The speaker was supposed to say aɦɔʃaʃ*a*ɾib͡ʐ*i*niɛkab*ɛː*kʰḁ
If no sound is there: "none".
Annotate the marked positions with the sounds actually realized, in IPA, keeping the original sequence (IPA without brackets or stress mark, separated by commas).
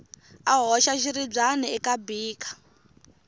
i, a, iː